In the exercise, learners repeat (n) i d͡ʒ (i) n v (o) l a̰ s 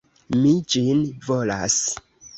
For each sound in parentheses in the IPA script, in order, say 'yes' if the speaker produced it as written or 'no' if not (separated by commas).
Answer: no, yes, yes